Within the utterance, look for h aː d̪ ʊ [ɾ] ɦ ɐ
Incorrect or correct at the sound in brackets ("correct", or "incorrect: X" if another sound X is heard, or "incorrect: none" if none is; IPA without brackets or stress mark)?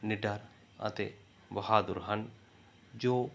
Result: correct